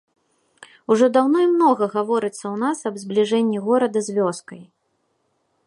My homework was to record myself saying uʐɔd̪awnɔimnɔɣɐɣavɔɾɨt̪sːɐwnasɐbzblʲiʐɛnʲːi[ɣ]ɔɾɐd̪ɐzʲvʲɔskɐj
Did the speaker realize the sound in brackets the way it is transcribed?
yes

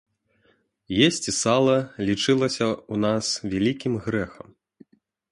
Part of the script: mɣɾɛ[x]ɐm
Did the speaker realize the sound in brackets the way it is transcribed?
yes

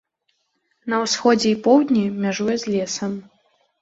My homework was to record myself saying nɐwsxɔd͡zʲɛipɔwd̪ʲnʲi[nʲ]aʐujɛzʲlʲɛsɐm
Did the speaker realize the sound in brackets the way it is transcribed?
no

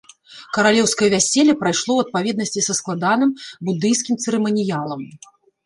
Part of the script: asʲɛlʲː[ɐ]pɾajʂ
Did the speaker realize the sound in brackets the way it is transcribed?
yes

